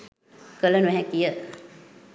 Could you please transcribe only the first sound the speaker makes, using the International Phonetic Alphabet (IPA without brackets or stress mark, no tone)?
k